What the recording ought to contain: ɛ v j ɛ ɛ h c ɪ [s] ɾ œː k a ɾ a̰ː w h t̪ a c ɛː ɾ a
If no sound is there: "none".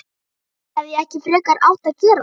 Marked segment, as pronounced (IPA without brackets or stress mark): f